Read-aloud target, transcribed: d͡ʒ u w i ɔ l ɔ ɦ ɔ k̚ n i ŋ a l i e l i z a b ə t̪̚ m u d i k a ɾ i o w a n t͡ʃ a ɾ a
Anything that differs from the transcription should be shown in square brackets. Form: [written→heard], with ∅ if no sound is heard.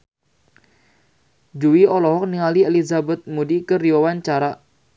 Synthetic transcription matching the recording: d͡ʒ u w i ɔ l ɔ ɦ ɔ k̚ n i ŋ a l i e l i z a b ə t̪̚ m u d i k [a→ə] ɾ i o w a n t͡ʃ a ɾ a